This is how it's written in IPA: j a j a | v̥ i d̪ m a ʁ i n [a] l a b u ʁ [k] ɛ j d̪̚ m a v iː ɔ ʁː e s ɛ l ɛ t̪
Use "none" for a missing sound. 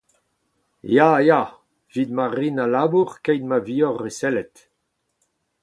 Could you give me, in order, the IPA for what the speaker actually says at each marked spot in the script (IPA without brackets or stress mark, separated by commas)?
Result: a, k